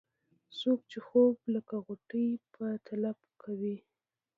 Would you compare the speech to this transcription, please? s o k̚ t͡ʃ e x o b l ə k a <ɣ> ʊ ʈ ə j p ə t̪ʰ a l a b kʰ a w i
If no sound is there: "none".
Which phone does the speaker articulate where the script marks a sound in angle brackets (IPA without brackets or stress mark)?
ɣ